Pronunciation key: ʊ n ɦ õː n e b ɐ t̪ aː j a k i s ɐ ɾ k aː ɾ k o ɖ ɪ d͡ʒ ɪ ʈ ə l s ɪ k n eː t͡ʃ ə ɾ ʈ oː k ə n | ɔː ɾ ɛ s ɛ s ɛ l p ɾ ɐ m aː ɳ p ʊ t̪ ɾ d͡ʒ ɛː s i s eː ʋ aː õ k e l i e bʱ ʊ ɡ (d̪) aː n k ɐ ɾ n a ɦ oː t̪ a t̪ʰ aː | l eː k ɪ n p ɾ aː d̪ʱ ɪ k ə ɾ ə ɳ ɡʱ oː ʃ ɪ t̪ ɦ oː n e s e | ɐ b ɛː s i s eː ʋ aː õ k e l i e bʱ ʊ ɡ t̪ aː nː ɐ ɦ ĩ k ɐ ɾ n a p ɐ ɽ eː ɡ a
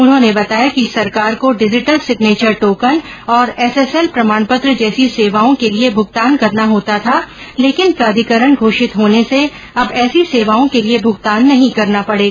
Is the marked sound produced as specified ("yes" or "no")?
no